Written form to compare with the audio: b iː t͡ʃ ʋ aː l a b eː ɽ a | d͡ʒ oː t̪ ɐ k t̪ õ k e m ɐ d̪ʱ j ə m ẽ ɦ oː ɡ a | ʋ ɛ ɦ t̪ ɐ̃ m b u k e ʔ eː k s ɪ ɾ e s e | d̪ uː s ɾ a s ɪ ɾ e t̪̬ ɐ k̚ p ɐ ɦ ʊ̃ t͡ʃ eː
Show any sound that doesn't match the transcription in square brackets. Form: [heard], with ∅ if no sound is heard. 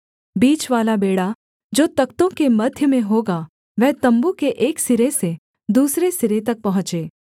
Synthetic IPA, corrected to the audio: b iː t͡ʃ ʋ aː l a b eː ɽ a | d͡ʒ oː t̪ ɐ k t̪ õ k e m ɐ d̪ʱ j ə m ẽ ɦ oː ɡ a | ʋ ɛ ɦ t̪ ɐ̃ m b u k e ʔ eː k s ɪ ɾ e s e | d̪ uː s ɾ [e] s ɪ ɾ e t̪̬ ɐ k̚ p ɐ ɦ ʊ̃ t͡ʃ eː